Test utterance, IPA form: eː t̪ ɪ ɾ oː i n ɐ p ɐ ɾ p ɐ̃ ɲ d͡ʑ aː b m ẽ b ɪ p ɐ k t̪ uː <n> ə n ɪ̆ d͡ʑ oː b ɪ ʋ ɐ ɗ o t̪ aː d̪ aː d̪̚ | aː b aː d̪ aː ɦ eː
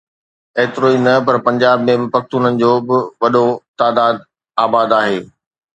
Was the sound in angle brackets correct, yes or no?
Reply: yes